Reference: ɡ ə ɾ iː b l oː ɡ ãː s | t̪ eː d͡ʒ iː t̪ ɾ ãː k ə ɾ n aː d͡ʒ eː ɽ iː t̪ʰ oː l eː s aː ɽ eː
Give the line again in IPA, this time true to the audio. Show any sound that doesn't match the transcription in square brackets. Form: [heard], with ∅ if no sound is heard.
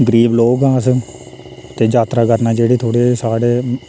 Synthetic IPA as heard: ɡ ə ɾ iː b l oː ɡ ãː s | t̪ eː d͡ʒ [aː] t̪ ɾ [aː] k ə ɾ n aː d͡ʒ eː ɽ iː t̪ʰ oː [ɽ] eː s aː ɽ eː